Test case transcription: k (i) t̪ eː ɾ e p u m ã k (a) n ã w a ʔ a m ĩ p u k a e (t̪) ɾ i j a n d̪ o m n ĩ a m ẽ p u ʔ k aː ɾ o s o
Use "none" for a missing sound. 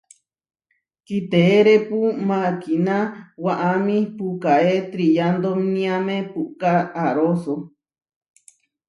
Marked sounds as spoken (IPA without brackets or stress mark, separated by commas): i, i, t̪